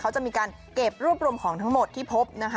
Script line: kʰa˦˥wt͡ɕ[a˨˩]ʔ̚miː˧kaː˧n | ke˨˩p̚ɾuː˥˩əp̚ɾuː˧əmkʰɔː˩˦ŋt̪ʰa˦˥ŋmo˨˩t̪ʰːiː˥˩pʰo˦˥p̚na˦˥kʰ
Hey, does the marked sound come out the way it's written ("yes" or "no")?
yes